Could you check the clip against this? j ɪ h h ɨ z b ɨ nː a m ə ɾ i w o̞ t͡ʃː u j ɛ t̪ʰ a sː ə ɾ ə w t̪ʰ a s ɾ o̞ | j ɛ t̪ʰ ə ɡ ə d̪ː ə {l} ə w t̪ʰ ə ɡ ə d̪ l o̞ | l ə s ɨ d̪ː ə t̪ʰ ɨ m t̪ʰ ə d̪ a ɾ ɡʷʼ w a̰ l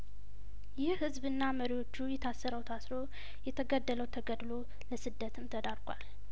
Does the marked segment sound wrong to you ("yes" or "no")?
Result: no